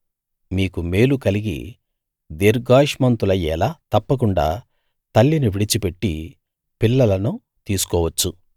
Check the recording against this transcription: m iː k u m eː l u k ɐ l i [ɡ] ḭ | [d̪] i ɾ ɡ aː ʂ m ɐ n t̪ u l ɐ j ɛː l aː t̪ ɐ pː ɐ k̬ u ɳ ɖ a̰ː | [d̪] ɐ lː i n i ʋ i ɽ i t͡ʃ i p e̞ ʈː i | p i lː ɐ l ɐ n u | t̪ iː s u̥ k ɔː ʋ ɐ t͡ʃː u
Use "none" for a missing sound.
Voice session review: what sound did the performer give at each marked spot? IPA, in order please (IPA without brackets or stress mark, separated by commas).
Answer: ɡ, d̪, t̪